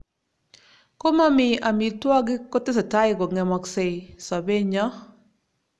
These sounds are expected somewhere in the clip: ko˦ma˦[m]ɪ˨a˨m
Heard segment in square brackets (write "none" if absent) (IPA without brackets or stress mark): m